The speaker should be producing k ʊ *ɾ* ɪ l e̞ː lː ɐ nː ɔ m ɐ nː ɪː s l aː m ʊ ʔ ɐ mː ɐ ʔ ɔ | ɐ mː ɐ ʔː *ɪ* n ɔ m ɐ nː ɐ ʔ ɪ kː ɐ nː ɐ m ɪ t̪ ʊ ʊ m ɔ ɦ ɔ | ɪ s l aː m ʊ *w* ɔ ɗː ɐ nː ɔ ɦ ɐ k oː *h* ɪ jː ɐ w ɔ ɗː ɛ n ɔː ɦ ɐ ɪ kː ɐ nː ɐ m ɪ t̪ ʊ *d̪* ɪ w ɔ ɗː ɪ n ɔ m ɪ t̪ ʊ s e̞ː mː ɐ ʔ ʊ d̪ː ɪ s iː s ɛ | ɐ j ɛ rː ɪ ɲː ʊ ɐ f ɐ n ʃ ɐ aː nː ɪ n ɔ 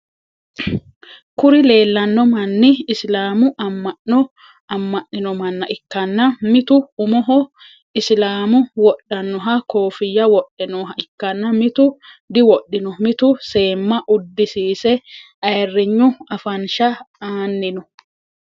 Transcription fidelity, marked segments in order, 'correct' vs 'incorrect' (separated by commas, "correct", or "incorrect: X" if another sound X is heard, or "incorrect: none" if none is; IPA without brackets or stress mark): correct, correct, correct, incorrect: f, correct